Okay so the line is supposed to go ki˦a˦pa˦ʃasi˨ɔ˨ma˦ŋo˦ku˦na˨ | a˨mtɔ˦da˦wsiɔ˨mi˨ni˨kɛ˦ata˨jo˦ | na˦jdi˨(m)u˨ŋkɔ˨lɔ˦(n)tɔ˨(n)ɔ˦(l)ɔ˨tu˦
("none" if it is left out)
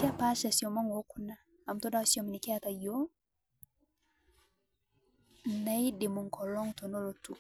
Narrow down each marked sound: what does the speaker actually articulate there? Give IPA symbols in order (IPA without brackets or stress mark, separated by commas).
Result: m, ŋ, n, l